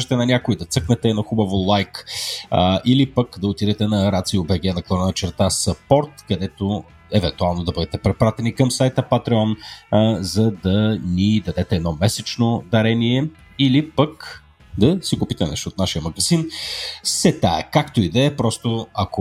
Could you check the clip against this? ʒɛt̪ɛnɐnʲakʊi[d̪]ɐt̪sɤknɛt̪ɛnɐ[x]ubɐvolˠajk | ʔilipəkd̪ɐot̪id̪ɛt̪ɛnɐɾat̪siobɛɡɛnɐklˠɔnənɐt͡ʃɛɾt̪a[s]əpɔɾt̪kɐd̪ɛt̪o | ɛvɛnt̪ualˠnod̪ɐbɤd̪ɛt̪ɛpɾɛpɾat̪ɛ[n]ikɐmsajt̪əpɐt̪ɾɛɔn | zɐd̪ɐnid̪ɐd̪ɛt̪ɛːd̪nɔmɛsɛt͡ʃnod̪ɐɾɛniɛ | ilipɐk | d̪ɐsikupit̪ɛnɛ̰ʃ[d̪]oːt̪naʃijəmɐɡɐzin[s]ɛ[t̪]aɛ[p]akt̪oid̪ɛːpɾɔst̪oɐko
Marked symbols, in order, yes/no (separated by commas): yes, yes, yes, yes, no, yes, yes, no